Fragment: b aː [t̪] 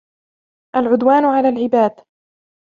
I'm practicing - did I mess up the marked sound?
yes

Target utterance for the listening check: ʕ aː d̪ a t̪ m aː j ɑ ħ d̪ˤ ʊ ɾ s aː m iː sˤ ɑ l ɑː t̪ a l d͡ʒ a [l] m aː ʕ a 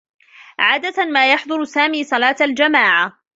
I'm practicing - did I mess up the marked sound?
yes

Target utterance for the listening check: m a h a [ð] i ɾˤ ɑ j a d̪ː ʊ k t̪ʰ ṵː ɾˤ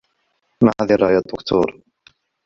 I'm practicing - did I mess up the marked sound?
no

